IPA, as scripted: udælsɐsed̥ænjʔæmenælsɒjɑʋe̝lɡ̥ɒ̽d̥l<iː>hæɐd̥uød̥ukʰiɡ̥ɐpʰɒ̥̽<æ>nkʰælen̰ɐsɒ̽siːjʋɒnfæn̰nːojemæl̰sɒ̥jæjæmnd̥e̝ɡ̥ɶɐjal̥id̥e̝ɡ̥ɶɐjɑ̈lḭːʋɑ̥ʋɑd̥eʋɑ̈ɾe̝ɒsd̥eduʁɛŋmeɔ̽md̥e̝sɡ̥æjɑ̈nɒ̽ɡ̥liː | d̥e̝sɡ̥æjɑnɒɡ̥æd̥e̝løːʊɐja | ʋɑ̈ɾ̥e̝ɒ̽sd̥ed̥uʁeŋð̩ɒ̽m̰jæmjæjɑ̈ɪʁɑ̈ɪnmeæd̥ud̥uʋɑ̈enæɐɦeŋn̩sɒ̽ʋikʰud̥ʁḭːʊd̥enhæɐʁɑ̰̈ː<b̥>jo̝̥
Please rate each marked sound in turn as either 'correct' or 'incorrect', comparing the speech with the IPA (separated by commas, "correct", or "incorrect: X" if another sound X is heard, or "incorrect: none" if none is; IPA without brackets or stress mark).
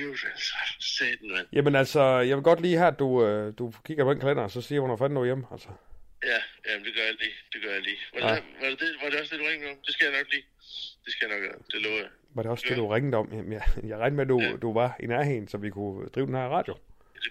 correct, incorrect: e, incorrect: d̥